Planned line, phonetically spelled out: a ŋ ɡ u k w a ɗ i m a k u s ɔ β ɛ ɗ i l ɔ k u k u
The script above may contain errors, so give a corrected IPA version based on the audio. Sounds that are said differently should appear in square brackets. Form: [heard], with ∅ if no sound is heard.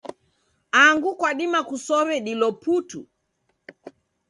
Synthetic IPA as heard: a ŋ ɡ u k w a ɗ i m a k u s ɔ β ɛ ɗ i l ɔ [p] u [t] u